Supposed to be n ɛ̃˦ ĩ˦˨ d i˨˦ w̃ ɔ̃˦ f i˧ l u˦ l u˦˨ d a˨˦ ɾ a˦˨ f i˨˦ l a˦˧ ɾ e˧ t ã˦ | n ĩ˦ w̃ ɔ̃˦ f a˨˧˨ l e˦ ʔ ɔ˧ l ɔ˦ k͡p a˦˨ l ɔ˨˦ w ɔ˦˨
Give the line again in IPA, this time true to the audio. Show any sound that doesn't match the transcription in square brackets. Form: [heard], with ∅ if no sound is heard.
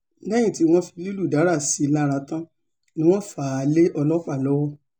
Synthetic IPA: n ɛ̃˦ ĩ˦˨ [t] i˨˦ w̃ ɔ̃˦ f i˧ l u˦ l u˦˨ d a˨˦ ɾ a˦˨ [s] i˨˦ l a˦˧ ɾ [a˧] t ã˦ | n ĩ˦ w̃ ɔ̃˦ f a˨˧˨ l e˦ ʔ ɔ˧ l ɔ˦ k͡p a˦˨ l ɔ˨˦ w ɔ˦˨